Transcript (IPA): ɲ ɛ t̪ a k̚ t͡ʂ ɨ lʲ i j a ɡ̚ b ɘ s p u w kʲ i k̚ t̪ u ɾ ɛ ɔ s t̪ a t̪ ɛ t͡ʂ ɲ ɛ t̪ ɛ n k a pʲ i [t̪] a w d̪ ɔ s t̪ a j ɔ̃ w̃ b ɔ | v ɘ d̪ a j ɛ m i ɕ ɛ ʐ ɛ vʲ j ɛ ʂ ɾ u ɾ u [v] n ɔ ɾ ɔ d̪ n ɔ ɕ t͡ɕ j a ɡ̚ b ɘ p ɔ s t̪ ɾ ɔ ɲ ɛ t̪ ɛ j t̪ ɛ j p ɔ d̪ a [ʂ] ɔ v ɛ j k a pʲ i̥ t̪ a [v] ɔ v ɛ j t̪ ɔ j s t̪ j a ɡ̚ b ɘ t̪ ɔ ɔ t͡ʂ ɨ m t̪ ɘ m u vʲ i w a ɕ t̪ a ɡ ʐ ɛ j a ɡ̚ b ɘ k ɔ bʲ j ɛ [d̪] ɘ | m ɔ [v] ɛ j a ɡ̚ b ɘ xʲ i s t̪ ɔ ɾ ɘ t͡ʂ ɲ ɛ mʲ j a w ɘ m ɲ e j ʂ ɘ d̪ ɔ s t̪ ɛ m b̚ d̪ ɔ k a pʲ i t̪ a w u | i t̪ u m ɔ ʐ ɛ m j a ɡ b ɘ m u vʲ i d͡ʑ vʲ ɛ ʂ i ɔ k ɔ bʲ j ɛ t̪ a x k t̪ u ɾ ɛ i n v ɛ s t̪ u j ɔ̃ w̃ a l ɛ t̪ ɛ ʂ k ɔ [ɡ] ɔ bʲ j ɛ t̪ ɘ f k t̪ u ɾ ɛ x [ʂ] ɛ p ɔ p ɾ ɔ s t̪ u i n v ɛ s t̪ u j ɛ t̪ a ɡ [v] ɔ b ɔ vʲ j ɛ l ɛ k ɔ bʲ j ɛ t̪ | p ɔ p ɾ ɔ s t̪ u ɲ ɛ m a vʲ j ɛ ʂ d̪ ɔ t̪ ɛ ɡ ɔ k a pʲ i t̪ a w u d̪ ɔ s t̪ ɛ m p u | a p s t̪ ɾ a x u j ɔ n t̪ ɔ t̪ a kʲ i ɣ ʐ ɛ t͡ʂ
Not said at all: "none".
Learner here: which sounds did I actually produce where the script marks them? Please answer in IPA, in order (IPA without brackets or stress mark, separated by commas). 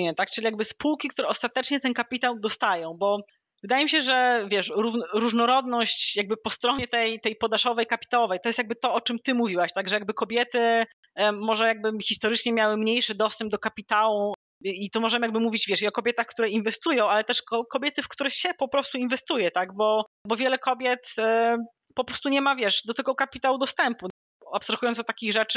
t̪, ʐ, ʂ, w, t̪, ʐ, k, ɕ, b